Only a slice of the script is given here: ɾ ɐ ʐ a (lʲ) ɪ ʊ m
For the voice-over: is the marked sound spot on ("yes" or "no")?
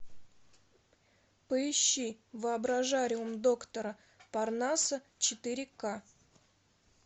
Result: no